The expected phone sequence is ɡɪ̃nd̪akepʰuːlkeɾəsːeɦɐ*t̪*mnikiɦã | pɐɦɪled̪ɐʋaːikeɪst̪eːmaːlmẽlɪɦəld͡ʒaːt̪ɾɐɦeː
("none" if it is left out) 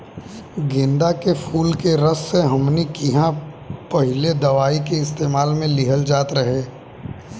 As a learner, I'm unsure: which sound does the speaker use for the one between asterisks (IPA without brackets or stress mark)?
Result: none